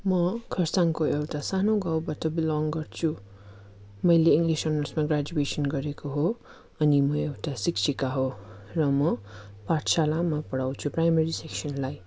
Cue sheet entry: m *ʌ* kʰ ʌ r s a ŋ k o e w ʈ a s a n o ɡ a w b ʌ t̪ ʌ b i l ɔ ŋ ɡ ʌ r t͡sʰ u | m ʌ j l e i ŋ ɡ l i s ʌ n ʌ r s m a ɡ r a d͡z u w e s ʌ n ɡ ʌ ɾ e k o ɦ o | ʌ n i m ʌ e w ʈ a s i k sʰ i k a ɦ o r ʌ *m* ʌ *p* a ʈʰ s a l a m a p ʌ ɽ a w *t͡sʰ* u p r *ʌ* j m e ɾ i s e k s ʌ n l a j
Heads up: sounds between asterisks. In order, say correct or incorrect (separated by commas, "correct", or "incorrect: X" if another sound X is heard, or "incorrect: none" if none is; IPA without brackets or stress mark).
correct, correct, correct, correct, incorrect: a